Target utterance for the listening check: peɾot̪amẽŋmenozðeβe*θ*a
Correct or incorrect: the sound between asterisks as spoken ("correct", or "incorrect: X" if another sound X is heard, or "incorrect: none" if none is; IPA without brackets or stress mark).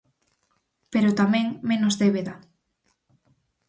incorrect: ð